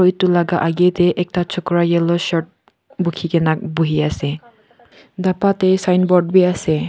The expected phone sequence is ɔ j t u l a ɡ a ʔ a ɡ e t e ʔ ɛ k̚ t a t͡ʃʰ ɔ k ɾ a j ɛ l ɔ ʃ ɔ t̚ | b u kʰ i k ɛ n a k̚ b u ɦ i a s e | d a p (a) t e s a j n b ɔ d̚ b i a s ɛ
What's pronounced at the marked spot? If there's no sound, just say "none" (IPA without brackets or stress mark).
a